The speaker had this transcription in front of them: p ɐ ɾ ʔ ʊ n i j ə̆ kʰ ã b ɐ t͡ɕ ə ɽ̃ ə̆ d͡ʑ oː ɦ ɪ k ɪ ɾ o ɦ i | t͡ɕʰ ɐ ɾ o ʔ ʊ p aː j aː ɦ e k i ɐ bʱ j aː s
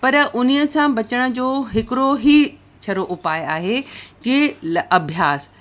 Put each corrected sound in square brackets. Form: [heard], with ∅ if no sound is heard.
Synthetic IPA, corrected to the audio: p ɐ ɾ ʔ ʊ n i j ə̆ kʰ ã b ɐ t͡ɕ ə ɽ̃ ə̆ d͡ʑ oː ɦ ɪ k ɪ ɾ o ɦ i | t͡ɕʰ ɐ ɾ o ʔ ʊ p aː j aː ɦ e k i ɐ bʱ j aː s